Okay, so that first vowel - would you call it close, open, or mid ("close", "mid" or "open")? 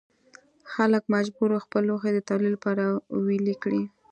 open